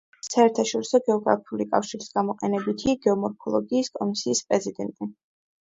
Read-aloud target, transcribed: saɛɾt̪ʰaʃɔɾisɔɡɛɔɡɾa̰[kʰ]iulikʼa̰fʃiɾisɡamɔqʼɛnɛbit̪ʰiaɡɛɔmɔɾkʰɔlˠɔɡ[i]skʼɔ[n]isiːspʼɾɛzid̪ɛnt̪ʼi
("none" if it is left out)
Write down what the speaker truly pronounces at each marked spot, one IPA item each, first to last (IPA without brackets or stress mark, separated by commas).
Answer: pʰ, iː, m